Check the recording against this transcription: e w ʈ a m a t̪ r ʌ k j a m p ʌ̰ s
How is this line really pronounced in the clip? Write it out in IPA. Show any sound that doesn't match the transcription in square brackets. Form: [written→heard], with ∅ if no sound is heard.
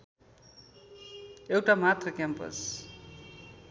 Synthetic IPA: e w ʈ a m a t̪ r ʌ k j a m p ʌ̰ s